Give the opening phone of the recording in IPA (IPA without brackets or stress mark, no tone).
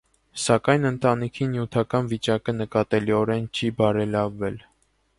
s